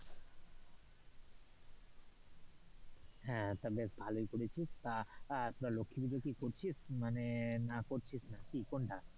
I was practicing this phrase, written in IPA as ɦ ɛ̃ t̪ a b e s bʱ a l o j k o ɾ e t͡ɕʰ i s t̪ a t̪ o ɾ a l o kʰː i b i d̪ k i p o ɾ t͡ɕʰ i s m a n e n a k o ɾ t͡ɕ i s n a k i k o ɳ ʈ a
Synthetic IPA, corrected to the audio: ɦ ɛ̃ t̪ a b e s bʱ a l o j k o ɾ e t͡ɕʰ i s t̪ a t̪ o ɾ a l o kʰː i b i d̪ k i k o ɾ t͡ɕʰ i s m a n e n a k o ɾ t͡ɕʰ i s n a k i k o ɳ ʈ a

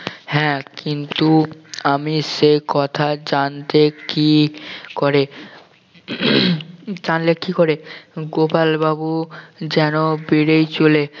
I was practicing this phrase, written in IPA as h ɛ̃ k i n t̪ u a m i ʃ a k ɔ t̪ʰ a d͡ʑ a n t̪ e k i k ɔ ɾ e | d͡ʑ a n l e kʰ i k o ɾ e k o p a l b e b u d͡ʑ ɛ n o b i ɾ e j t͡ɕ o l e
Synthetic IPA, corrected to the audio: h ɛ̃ k i n t̪ u a m i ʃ e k ɔ t̪ʰ a d͡ʑ a n t̪ e k i k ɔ ɾ e | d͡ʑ a n l e k i k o ɾ e ɡ o p a l b a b u d͡ʑ ɛ n o b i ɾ e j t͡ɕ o l e

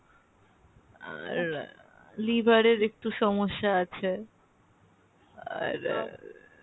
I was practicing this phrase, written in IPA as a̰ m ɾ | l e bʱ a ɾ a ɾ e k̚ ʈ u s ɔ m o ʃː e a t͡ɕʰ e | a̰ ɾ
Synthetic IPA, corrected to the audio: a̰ ɾ | l i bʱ a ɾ e ɾ e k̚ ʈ u ʃ ɔ m o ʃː a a t͡ɕʰ e | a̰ ɾ

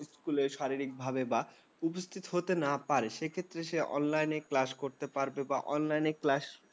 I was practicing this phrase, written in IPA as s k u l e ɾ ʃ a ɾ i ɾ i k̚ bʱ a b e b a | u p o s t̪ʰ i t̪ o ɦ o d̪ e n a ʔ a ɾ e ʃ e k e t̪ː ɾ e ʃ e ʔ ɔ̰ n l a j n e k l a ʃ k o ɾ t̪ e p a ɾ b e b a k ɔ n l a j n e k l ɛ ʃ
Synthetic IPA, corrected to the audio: s k u l e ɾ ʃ a ɾ i ɾ i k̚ bʱ a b e b a | u p o s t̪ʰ i t̪ o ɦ o t̪ e n a p a ɾ e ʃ e kʰ e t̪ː ɾ e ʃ e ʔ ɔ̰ n l a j n e k l a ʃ k o ɾ t̪ e p a ɾ b e b a ʔ ɔ n l a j n e k l a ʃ

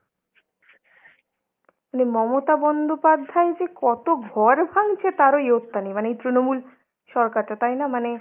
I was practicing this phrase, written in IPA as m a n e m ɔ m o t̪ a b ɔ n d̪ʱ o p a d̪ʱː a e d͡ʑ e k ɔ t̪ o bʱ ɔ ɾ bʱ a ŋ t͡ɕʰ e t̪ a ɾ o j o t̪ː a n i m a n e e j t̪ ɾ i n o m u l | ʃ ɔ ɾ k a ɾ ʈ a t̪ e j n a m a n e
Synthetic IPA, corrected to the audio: m a n e m ɔ m o t̪ a b ɔ n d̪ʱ o p a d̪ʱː a e d͡ʑ e k ɔ t̪ o ɡʱ ɔ ɾ bʱ a ŋ t͡ɕʰ e t̪ a ɾ o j o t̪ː a n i m a n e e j t̪ ɾ i n o m u l | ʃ ɔ ɾ k a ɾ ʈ a t̪ a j n a m a n e

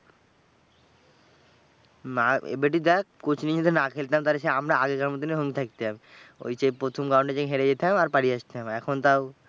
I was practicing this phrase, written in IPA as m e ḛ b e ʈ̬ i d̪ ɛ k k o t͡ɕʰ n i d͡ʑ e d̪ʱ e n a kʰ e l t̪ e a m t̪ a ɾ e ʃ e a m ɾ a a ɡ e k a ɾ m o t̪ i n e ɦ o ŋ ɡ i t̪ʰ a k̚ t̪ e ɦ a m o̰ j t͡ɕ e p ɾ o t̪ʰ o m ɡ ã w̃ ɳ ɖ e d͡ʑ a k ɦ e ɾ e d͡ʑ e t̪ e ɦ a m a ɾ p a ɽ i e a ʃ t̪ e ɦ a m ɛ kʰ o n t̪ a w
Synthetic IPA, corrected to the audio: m a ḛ b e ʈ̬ i d̪ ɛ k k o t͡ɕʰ n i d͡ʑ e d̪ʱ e n a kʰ e l t̪ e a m t̪ a ɾ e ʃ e a m ɾ a a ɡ e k a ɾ m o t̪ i n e ɦ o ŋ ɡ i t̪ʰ a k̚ t̪ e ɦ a m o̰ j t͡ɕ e p ɾ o t̪ʰ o m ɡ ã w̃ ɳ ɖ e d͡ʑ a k ɦ e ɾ e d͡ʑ e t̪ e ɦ a m a ɾ p a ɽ i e a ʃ t̪ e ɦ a m ɛ kʰ o n t̪ a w

